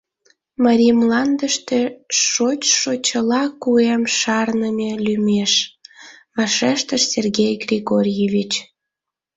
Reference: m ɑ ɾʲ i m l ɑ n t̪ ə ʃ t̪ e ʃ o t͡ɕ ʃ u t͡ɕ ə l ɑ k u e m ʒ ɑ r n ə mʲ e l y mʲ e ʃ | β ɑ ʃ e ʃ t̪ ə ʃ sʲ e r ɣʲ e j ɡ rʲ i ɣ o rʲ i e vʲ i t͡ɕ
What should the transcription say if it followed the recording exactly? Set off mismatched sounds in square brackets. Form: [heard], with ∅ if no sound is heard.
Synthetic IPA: m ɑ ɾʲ i m l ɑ n [d̪] ə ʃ t̪ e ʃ o t͡ɕ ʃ [o] t͡ɕ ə l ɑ k u e m [ʃ] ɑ r n ə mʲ e l y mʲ e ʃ | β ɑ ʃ e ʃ t̪ ə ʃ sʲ e r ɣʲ e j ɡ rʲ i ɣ o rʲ [j] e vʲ i t͡ɕ